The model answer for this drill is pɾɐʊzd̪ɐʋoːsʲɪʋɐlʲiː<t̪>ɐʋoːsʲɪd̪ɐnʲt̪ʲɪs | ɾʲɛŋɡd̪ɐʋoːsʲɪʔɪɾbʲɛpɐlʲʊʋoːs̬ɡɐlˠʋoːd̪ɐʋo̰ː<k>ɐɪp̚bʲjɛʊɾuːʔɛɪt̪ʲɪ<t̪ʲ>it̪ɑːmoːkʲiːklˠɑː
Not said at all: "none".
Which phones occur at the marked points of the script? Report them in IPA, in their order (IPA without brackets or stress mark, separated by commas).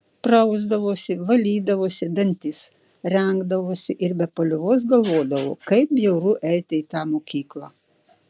d̪, k, none